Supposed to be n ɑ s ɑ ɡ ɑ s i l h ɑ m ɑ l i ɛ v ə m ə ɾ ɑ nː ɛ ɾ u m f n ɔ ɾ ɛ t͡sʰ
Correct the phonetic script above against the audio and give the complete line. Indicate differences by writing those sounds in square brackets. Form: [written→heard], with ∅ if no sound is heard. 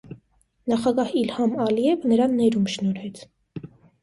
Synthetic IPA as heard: n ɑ [s→χ] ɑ ɡ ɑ [s→h] i l h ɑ m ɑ l i ɛ v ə [m→n] ə ɾ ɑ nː ɛ ɾ u m [f→ʃ] n ɔ ɾ ɛ t͡sʰ